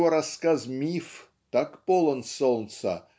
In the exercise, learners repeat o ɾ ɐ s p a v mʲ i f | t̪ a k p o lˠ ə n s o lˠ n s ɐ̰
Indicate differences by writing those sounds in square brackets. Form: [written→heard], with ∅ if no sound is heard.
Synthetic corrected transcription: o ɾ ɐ s [p→k] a [v→z] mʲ i f | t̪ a k p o lˠ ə n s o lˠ n s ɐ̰

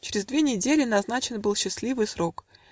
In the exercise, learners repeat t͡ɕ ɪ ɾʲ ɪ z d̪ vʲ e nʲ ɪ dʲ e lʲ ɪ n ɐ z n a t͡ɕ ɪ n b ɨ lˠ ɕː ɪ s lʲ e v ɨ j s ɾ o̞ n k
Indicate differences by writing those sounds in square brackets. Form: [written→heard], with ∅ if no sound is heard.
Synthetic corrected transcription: t͡ɕ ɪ ɾʲ ɪ z d̪ vʲ e nʲ ɪ dʲ e lʲ ɪ n ɐ z n a t͡ɕ ɪ n b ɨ lˠ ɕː ɪ s lʲ [e→i] v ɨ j s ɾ o̞ [n→∅] k

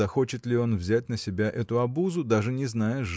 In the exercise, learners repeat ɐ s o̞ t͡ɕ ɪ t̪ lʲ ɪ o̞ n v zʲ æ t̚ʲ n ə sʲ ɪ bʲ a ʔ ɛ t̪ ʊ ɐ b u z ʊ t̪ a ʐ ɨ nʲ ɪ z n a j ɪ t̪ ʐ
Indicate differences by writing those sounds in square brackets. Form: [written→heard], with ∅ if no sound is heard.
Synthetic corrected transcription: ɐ [s→x] o̞ t͡ɕ ɪ t̪ lʲ ɪ o̞ n v zʲ æ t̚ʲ n ə sʲ ɪ bʲ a ʔ ɛ t̪ ʊ ɐ b u z ʊ [t̪→d̪] a ʐ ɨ nʲ ɪ z n a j ɪ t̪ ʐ

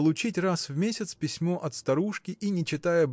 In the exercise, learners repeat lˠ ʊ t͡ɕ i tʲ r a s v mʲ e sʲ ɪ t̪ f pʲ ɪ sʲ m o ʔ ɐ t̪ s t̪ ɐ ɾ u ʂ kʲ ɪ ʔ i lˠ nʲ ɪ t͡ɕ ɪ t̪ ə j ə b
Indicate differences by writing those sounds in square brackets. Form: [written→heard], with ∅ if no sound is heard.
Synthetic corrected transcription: lˠ ʊ t͡ɕ i tʲ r a s v mʲ e sʲ ɪ t̪ [f→s] pʲ ɪ sʲ m o ʔ ɐ t̪ s t̪ ɐ ɾ u ʂ kʲ ɪ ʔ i [lˠ→∅] nʲ ɪ t͡ɕ ɪ t̪ [ə→a] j ə b

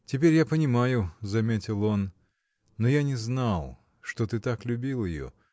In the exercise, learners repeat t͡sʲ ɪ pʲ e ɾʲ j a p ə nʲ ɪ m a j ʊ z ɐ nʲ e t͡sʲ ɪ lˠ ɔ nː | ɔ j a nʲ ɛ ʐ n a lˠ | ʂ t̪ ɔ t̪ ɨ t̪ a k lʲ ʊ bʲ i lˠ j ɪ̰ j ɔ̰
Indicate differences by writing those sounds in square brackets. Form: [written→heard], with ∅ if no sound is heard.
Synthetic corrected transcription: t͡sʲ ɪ pʲ e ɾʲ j a p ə nʲ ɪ m a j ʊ z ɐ [nʲ→mʲ] e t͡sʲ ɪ lˠ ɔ nː | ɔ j a nʲ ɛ [ʐ→z] n a lˠ | ʂ t̪ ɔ t̪ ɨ t̪ a k lʲ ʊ bʲ i lˠ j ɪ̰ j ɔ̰

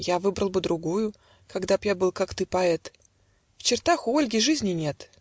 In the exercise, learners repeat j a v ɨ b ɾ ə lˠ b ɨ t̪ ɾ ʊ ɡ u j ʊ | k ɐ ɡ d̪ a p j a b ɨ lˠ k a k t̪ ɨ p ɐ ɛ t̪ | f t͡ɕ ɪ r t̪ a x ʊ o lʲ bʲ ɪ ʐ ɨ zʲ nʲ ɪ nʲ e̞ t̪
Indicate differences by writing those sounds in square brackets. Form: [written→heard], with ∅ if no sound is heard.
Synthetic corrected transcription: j a v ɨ b ɾ ə lˠ b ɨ [t̪→d̪] ɾ ʊ ɡ u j ʊ | k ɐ ɡ d̪ a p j a b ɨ lˠ k a k t̪ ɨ p ɐ ɛ t̪ | f t͡ɕ ɪ r t̪ a x ʊ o lʲ [bʲ→ɡʲ] ɪ ʐ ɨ zʲ nʲ ɪ nʲ e̞ t̪

